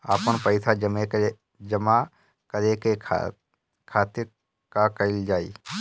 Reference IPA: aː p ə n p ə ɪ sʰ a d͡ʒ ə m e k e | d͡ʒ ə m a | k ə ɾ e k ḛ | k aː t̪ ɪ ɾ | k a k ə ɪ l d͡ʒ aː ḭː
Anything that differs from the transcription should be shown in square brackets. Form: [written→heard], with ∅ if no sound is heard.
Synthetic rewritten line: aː p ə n p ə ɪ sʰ a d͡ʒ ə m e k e | d͡ʒ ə m a | k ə ɾ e k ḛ | [k→kʰ] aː t̪ ɪ ɾ | k a k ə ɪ l d͡ʒ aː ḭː